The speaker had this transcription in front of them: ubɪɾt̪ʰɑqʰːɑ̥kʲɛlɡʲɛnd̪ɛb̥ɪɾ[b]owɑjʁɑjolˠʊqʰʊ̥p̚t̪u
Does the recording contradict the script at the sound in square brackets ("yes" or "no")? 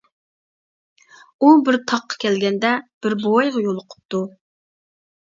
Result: no